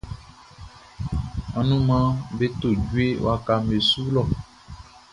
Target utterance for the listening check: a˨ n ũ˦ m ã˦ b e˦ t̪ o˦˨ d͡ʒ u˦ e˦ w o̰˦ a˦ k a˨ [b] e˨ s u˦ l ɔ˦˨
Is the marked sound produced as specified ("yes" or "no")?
no